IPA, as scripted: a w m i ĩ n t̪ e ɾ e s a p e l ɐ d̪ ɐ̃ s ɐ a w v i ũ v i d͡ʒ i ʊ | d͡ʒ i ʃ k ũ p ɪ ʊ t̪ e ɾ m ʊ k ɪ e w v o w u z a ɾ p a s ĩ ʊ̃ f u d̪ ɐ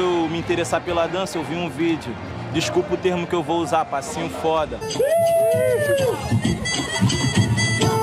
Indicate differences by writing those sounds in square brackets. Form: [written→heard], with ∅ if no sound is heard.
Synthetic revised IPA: [a→e] w m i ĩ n t̪ e ɾ e s a p e l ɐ d̪ ɐ̃ s ɐ [a→e] w v i ũ v i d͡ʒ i ʊ | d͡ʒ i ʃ k [ũ→u] p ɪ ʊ t̪ e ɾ m ʊ k ɪ e w v o w u z a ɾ p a s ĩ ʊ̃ f [u→ɔ] d̪ ɐ